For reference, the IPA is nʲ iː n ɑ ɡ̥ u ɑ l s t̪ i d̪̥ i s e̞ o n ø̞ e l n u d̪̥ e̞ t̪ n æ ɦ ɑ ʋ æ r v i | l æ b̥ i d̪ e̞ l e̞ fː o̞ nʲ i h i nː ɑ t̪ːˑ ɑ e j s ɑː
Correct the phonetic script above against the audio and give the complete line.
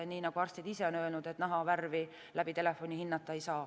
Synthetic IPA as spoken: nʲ iː n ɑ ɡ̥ u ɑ r s t̪ i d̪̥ i s e̞ o n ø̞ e l n u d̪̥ e̞ t̪ n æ ɦ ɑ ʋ æ r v i | l æ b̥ i t̪ e̞ l e̞ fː o̞ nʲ i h i nː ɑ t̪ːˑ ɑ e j s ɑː